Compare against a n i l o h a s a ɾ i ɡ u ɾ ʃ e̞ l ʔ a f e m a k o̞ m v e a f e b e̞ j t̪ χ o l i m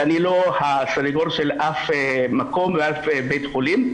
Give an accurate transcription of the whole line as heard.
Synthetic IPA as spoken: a n i l o h a s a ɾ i ɡ o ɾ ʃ e̞ l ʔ a f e m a k o̞ m v e a f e b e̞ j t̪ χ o l i m